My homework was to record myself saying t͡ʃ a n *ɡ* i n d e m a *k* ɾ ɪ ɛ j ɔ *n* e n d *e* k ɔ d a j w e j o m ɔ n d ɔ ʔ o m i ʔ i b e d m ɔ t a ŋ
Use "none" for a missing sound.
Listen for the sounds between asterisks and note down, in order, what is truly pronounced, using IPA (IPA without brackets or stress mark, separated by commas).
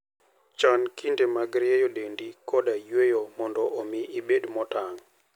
k, ɡ, d, i